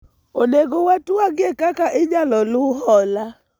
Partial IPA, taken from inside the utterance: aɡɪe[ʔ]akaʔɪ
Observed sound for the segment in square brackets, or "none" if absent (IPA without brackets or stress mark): k